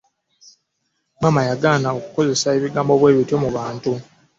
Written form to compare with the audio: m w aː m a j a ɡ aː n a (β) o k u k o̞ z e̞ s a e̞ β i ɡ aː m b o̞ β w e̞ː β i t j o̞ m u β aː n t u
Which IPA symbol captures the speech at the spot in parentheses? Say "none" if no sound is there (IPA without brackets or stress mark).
none